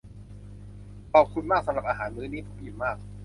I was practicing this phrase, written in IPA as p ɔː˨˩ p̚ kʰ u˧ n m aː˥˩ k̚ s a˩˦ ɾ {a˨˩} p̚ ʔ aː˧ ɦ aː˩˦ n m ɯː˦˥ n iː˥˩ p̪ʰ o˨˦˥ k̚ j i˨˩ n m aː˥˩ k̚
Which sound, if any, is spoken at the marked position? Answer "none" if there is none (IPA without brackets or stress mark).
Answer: a˨˩